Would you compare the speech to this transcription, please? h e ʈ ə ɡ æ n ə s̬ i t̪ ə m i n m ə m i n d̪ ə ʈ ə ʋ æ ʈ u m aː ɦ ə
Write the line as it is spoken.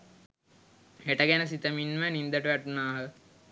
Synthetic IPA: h e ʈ ə ɡ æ n ə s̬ i t̪ ə m i n m ə n i n d̪ ə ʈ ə ʋ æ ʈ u n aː ɦ ə